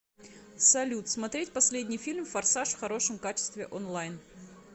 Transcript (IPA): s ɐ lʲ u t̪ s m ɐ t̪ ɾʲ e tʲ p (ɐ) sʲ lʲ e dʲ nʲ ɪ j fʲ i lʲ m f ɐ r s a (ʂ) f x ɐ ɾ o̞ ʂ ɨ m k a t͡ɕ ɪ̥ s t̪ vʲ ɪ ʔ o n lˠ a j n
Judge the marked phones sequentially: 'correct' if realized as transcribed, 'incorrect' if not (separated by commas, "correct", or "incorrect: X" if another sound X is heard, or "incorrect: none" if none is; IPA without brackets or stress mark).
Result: correct, correct